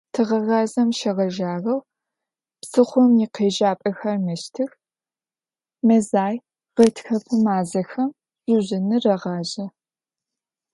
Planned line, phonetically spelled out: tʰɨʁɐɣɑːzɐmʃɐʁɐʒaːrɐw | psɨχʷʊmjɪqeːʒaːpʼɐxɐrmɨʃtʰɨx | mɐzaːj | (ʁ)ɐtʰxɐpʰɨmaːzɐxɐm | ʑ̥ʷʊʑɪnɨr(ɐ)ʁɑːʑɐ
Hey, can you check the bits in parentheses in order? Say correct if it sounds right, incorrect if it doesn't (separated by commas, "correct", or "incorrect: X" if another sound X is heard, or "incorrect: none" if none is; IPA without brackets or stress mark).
correct, correct